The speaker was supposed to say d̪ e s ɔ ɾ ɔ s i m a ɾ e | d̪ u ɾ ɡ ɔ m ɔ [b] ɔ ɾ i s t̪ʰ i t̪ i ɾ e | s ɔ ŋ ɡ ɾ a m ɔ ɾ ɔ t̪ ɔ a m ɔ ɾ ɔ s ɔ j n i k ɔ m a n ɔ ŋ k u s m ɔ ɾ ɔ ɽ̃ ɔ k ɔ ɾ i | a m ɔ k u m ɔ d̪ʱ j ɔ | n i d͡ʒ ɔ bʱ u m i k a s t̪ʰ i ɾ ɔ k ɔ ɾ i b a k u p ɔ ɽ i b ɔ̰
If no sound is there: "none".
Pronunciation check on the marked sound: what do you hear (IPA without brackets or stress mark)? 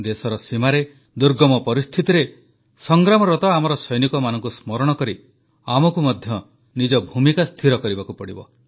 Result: p